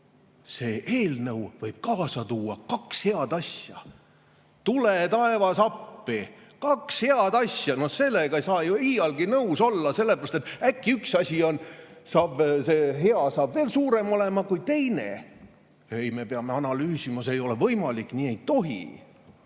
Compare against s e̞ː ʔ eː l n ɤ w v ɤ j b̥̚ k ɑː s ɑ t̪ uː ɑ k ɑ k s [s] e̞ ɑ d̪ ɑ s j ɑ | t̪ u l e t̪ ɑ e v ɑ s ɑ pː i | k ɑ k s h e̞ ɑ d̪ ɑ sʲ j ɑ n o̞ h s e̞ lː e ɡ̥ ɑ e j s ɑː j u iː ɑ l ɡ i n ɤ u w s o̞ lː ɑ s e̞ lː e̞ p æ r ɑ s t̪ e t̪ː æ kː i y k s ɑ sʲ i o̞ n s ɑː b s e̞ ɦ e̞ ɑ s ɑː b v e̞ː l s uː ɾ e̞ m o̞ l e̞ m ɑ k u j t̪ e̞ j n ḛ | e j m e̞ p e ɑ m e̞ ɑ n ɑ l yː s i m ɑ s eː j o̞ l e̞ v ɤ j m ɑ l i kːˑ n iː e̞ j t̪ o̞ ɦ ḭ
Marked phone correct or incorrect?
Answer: incorrect